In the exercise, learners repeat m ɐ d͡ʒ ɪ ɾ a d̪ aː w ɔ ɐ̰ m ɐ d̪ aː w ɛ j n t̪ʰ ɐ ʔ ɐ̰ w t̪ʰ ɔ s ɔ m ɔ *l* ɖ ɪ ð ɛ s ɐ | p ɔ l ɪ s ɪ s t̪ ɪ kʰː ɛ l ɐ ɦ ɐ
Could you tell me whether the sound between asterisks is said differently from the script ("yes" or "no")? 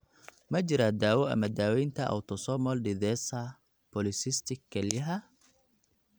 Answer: no